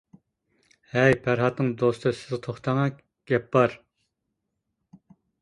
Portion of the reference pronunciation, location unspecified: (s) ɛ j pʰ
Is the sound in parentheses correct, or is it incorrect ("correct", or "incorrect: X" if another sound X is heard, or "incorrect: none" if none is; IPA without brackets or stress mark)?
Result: incorrect: h